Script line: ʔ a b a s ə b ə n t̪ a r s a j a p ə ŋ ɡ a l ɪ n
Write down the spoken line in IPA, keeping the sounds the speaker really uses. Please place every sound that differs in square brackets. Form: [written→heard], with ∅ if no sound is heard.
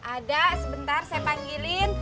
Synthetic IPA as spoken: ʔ a [b→d] a s ə b ə n t̪ a r s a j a p [ə→a] ŋ ɡ [a→i] l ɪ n